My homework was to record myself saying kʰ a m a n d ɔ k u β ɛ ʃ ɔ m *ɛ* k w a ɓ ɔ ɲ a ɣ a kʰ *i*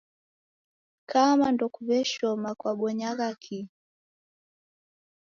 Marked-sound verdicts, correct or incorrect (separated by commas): incorrect, correct